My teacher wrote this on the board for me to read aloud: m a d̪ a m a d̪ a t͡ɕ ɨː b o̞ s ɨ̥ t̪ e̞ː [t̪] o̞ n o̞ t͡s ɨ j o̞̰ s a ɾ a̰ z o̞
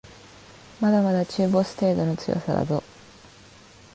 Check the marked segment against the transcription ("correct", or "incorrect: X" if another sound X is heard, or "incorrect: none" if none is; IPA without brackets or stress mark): incorrect: d̪